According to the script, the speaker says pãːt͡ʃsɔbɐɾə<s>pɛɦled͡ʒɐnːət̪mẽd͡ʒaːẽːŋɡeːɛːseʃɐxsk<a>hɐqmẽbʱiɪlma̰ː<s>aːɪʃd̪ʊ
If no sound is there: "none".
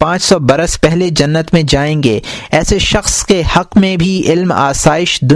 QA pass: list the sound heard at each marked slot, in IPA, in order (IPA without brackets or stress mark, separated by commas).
s, e, s